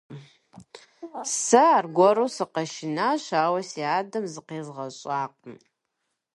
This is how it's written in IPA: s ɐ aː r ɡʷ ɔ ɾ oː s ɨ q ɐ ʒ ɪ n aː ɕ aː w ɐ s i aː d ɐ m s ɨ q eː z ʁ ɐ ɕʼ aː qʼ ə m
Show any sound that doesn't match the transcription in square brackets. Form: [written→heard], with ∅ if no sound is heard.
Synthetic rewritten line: s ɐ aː r ɡʷ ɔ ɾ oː s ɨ q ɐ [ʒ→ʃ] ɪ n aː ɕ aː w ɐ s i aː d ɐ m [s→z] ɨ q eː z ʁ ɐ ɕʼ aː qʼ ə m